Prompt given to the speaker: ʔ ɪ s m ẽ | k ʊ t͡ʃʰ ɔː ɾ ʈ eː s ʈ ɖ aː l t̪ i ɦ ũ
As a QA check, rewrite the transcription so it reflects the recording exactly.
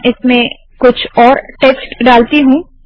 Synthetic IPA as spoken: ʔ ɪ s m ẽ | k ʊ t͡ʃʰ ɔː ɾ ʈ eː s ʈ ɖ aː l t̪ i ɦ ũ